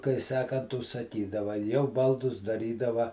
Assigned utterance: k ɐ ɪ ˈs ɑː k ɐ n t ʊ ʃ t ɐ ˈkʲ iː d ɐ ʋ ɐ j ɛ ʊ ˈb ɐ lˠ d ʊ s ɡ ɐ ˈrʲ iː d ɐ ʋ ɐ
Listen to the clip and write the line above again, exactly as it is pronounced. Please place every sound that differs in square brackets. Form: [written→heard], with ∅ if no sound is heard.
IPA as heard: k ɐ ɪ ˈs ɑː k ɐ n t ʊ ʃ [t→s] ɐ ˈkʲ iː d ɐ ʋ ɐ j ɛ ʊ ˈb ɐ lˠ d ʊ s [ɡ→d] ɐ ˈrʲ iː d ɐ ʋ ɐ